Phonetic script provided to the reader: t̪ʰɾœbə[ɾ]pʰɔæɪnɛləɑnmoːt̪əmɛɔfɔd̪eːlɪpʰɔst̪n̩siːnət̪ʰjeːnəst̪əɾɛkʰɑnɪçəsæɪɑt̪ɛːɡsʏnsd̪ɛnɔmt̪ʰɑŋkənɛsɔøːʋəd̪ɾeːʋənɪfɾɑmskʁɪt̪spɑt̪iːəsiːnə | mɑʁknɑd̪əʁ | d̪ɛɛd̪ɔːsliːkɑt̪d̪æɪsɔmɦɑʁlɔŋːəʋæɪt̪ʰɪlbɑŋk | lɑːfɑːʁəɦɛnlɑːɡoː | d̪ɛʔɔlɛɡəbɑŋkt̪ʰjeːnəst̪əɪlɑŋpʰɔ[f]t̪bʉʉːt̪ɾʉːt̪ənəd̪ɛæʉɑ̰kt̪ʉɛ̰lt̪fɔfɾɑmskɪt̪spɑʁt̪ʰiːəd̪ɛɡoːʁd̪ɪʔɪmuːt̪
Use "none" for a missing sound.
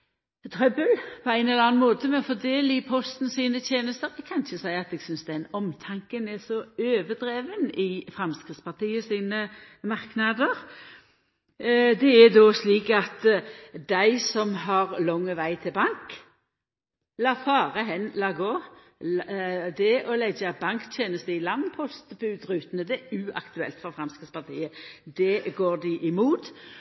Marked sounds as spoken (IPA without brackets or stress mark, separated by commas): l, s